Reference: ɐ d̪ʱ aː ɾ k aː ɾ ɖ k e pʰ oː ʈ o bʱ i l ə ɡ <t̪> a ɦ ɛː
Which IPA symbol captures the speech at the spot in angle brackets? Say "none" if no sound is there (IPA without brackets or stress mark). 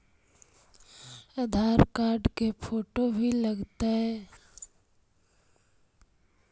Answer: t̪